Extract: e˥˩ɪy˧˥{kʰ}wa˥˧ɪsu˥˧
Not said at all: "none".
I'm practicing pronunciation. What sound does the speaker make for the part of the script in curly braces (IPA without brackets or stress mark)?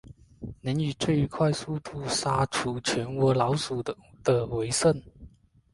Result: kʰ